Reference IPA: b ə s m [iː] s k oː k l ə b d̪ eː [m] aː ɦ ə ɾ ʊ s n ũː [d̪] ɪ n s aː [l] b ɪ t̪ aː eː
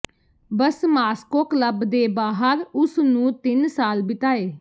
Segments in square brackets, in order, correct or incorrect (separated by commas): incorrect, incorrect, incorrect, correct